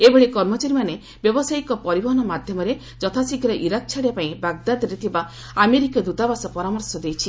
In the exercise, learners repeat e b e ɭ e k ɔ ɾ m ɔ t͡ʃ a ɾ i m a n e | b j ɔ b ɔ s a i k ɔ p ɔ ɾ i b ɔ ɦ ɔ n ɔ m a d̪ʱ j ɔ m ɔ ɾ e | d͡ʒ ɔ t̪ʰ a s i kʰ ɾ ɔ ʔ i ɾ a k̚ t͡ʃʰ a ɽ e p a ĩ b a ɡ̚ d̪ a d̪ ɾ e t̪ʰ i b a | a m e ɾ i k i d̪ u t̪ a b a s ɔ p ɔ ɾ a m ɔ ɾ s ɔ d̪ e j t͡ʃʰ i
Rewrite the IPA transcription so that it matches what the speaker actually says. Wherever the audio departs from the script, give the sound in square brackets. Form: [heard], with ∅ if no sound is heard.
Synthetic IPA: e b e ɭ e k ɔ ɾ m ɔ t͡ʃ a ɾ i m a n e | b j ɔ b ɔ s a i k ɔ p ɔ ɾ i b ɔ ɦ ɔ n ɔ m a d̪ʱ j ɔ m ɔ ɾ e | d͡ʒ ɔ t̪ʰ a s i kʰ ɾ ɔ ʔ i ɾ a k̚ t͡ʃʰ a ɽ e p a ĩ b a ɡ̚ d̪ a d̪ ɾ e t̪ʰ i b a | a m e ɾ i k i d̪ u t̪ a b a s ɔ p ɔ ɾ a m ɔ ɾ s ɔ d̪ e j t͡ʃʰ i